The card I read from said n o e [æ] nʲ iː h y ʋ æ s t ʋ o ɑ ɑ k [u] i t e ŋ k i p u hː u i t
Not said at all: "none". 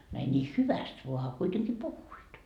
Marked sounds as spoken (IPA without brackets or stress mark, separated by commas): i, u